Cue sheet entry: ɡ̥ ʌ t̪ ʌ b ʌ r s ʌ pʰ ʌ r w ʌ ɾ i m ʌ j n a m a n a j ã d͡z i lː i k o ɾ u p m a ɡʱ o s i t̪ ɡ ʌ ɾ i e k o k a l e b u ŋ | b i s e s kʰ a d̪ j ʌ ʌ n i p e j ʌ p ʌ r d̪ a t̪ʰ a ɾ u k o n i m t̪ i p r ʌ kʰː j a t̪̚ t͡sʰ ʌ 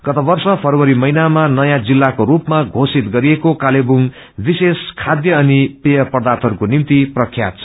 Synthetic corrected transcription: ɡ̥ ʌ t̪ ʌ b ʌ r s ʌ pʰ ʌ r w ʌ ɾ i m ʌ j n a m a n ʌ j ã d͡z i lː a k o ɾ u p m a ɡʱ o s i t̪ ɡ ʌ ɾ i e k o k a l e b u ŋ | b i s e s kʰ a d̪ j ʌ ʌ n i p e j ʌ p ʌ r d̪ a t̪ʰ ʌ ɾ u k o n i m t̪ i p r ʌ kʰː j a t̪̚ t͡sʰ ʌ